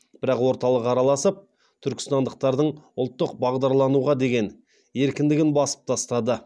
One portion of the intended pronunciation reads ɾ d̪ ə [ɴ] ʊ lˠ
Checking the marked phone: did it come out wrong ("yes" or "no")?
no